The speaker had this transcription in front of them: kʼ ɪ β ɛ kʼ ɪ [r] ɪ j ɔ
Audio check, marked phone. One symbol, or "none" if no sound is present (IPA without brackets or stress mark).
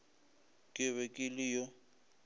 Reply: l